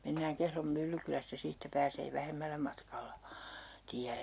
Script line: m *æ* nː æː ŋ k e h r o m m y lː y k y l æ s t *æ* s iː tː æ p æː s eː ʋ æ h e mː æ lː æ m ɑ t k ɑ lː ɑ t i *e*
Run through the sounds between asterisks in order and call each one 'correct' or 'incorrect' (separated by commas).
incorrect, correct, incorrect